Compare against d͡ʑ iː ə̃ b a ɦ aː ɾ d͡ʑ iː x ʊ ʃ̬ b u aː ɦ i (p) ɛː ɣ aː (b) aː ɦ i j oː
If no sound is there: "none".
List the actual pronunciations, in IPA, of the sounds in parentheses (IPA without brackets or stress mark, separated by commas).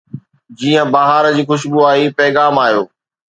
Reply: p, m